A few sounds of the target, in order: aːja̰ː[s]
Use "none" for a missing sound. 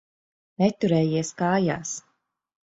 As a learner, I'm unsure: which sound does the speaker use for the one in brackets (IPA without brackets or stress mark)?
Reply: s